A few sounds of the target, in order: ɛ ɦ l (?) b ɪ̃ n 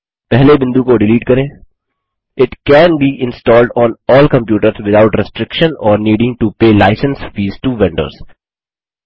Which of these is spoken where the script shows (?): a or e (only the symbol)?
e